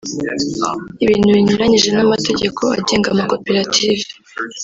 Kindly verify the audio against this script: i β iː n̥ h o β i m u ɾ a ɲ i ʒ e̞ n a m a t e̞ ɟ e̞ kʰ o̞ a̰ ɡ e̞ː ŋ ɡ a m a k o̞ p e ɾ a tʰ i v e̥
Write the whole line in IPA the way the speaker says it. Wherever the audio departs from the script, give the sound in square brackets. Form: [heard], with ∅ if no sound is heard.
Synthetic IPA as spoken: i β iː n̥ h [u] β i [ɲ] u ɾ a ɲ i ʒ e̞ n a m a t e̞ ɟ e̞ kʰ o̞ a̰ [ɟ] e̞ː ŋ ɡ a m a k o̞ p e ɾ a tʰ i v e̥

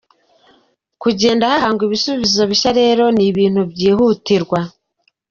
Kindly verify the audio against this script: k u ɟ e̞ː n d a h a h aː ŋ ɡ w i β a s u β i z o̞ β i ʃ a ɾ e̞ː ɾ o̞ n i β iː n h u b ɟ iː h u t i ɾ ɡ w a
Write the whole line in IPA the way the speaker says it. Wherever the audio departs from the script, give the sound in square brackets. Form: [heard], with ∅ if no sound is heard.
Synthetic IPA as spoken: k u ɟ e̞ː n d a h a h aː ŋ ɡ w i β [i] s u β i z o̞ β i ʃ a ɾ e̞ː ɾ o̞ n i β iː n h u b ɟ iː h u t i ɾ ɡ w a

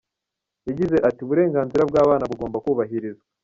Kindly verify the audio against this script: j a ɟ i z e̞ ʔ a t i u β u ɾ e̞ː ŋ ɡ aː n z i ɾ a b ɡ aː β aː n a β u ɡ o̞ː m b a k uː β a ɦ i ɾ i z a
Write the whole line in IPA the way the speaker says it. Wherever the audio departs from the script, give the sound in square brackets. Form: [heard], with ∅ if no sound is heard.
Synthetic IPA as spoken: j a ɟ i z e̞ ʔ a t i u β u ɾ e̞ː ŋ ɡ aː n z i ɾ a b ɡ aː β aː n a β u ɡ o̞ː m b a k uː β a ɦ i ɾ i z a

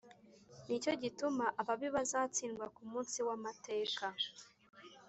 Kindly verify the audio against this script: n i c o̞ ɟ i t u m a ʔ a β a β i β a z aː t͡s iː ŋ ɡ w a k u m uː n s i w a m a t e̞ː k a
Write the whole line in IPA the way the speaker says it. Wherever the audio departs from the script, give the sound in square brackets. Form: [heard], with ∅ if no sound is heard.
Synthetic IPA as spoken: n i c o̞ ɟ i t u m a ʔ a β a β i β a z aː t͡s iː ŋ ɡ w a k u m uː n s i w a m a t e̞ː k a

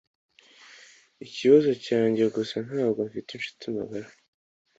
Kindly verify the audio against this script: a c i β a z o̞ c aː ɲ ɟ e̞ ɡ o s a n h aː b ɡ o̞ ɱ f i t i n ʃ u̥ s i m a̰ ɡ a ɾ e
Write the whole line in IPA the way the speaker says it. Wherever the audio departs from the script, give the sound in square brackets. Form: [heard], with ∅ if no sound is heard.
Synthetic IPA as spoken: [i] c i β a z o̞ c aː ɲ ɟ e̞ ɡ o s a n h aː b ɡ o̞ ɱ f i t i n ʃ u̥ [t] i m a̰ ɡ a ɾ [a]

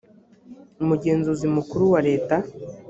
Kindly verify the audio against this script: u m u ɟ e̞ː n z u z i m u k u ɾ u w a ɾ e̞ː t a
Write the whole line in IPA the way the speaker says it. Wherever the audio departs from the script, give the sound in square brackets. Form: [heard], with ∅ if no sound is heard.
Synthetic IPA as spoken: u m u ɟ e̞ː n z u z i m u k u ɾ u w a ɾ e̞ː t a

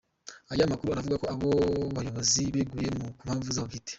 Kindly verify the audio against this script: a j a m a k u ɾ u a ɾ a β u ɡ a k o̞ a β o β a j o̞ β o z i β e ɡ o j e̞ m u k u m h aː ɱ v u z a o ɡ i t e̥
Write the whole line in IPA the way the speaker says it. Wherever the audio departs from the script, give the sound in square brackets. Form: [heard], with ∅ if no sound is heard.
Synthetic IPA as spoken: a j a m a k u ɾ u a ɾ a [v] u ɡ a k o̞ a β o β a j o̞ β o z i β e ɡ [u] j e̞ m u k u m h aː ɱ v u z a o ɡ i t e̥

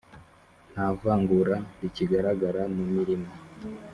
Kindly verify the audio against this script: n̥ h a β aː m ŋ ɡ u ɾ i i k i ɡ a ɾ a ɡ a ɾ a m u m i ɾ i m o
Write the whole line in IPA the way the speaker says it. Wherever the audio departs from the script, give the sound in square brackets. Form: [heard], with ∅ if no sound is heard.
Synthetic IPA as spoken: n̥ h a [v] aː [∅] ŋ ɡ u ɾ [a] i [c] i ɡ a ɾ a ɡ a ɾ a m u m i ɾ i m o

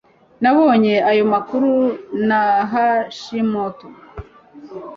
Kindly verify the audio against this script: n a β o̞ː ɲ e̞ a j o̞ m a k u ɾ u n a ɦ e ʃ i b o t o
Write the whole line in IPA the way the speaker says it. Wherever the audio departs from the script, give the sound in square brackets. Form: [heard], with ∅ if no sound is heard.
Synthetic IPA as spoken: n a β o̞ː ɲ e̞ a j o̞ m a k u ɾ u n a ɦ [a] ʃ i [m] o t o

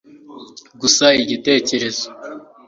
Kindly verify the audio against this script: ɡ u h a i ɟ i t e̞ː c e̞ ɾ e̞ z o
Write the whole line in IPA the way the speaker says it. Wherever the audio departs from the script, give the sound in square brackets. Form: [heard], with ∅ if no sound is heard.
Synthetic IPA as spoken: ɡ u [s] a i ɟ i t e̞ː c e̞ ɾ e̞ z o

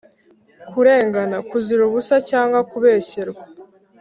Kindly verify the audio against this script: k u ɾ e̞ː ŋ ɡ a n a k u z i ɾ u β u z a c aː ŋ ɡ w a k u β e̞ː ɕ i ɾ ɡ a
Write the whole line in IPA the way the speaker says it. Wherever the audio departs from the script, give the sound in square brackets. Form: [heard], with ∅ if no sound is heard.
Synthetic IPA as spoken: k u ɾ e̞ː ŋ ɡ a n a k u z i ɾ u β u [s] a c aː ŋ ɡ w a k u β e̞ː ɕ [e] ɾ ɡ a

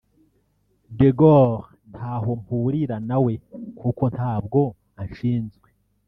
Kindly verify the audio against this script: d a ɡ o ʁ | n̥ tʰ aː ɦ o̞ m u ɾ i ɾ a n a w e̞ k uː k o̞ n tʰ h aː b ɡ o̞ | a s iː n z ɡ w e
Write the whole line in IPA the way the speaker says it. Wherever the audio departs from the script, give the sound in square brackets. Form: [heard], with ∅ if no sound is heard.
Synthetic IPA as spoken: d [e] ɡ o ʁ | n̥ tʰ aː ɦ o̞ m u ɾ i ɾ a n a w e̞ k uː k o̞ n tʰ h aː b ɡ o̞ | a [ʃ] iː n z ɡ w e

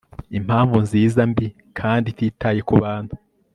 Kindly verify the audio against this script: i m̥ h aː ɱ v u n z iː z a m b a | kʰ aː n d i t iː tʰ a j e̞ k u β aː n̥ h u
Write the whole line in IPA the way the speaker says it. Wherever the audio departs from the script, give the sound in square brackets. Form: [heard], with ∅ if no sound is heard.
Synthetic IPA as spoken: i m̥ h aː ɱ v u n z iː z a m b [i] | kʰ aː n d i t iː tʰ a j e̞ k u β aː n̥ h u

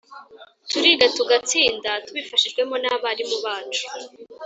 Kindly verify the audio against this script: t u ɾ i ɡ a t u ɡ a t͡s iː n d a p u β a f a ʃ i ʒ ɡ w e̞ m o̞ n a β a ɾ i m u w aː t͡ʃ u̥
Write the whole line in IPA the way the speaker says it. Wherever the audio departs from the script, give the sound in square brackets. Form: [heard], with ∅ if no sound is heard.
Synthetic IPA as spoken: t u ɾ i ɡ a t u ɡ a t͡s iː n d a [t] u β [i] f a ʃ i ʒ ɡ w e̞ m o̞ n a β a ɾ i m u [β] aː t͡ʃ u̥

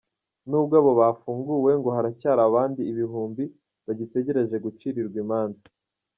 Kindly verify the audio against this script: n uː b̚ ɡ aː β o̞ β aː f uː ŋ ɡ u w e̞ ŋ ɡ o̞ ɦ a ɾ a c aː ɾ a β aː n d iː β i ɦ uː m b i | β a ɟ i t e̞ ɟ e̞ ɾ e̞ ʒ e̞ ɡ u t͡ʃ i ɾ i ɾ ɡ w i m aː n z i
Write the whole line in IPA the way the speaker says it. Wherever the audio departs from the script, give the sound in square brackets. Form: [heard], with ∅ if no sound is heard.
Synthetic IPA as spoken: n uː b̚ ɡ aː β o̞ β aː f uː ŋ ɡ u w e̞ ŋ ɡ o̞ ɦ a ɾ a c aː ɾ a β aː n d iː β i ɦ uː m b i | β a ɟ i t e̞ ɟ e̞ ɾ e̞ ʒ e̞ ɡ u t͡ʃ i ɾ i ɾ ɡ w i m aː n z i

